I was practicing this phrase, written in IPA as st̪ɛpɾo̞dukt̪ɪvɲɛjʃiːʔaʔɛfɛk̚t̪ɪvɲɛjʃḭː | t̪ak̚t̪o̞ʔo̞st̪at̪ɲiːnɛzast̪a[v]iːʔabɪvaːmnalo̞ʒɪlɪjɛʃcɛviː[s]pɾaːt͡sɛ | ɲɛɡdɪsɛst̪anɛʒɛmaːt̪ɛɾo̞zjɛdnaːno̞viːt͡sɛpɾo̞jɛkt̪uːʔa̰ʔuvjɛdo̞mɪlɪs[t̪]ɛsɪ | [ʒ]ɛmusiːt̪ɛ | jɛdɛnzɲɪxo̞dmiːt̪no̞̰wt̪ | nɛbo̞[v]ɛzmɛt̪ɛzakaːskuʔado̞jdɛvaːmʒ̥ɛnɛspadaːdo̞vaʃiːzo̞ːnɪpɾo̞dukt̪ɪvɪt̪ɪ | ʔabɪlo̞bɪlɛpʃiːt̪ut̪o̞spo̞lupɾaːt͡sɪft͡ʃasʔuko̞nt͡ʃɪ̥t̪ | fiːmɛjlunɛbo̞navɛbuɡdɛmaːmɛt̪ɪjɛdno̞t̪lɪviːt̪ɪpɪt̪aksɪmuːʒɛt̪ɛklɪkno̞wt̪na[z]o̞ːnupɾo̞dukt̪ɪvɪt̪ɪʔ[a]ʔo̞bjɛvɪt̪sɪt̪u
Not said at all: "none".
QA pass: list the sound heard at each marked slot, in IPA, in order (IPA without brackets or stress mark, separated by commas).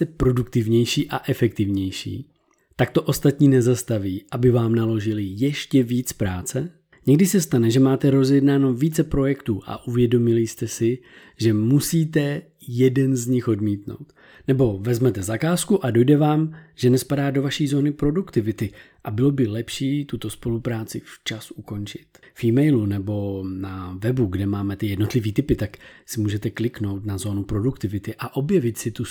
v, t͡s, t̪, ʒ, v, z, a